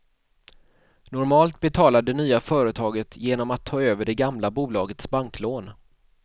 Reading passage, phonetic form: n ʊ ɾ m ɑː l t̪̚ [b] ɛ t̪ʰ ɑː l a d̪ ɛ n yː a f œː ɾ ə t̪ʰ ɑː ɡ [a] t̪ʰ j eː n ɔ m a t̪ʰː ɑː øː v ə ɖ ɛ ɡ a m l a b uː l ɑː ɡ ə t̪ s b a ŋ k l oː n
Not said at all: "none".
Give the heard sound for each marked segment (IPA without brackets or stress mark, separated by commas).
b, ə